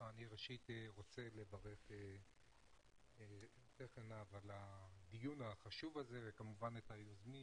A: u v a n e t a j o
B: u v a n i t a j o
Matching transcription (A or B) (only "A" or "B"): A